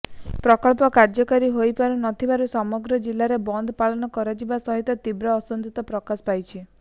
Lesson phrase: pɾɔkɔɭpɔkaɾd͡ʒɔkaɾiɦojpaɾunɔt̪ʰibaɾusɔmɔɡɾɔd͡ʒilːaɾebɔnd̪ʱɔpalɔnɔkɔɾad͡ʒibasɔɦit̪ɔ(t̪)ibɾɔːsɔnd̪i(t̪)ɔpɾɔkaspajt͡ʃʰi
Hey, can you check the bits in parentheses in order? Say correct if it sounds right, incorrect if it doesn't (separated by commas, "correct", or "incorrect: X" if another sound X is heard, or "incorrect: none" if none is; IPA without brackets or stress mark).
correct, correct